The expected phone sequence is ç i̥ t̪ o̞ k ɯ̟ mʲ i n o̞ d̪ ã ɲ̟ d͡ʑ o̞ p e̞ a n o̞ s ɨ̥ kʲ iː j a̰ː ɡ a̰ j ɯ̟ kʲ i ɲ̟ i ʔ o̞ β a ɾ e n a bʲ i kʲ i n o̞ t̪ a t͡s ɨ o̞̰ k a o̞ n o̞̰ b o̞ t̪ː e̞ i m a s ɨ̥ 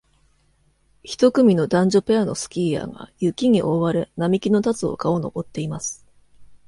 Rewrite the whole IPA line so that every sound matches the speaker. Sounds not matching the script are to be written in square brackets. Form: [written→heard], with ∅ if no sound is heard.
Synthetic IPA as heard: ç i̥ t̪ o̞ k ɯ̟ mʲ i n o̞ d̪ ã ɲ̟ d͡ʑ o̞ p e̞ a n o̞ s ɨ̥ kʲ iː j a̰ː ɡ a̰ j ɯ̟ kʲ i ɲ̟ i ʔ o̞ β a ɾ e n a [bʲ→mʲ] i kʲ i n o̞ t̪ a t͡s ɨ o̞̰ k a o̞ n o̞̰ b o̞ t̪ː e̞ i m a s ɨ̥